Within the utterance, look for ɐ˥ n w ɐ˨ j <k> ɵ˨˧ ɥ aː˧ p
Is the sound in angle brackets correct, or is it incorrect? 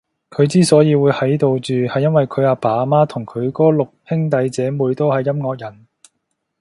incorrect